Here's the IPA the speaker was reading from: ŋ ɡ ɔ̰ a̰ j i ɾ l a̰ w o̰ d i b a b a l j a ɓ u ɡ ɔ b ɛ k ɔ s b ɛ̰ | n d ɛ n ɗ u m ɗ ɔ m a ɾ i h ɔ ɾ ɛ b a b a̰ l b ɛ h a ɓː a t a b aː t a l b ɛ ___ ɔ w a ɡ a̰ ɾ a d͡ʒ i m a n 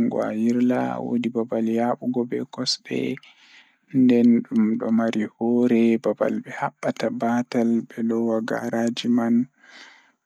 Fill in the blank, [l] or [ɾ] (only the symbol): l